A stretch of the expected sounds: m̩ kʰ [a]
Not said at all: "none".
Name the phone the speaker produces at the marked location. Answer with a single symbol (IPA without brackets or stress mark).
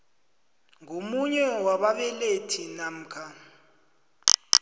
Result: a